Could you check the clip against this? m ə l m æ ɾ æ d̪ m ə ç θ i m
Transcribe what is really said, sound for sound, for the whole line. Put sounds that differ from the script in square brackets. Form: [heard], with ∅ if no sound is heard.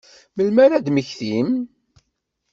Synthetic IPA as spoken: m ə l m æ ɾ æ d̪ m ə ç θ i m